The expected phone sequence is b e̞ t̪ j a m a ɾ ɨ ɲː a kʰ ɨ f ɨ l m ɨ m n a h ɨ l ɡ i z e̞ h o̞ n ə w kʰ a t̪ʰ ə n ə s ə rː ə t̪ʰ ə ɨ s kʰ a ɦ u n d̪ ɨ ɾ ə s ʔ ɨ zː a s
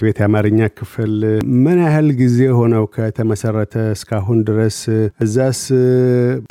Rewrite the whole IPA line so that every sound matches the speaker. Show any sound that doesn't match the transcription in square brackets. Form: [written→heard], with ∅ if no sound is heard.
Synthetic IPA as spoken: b e̞ t̪ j a m a ɾ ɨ ɲː a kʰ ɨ f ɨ l m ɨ [m→∅] n a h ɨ l ɡ i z e̞ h o̞ n ə w kʰ [a→ə] t̪ʰ ə [n→m] ə s ə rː ə t̪ʰ ə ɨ s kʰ a ɦ u n d̪ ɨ ɾ ə s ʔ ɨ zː a s